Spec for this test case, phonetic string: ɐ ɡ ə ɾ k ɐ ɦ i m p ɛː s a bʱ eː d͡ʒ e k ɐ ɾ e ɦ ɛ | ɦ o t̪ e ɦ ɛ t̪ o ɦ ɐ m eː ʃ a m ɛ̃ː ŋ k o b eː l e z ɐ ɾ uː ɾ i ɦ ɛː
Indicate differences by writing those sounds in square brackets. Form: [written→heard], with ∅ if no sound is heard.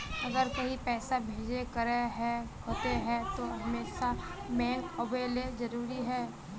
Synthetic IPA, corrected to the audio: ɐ ɡ ə ɾ k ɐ ɦ i [m→∅] p ɛː s a bʱ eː d͡ʒ e k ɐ ɾ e ɦ ɛ | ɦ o t̪ e ɦ ɛ t̪ o ɦ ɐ m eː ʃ a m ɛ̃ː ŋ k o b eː l e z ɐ ɾ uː ɾ i ɦ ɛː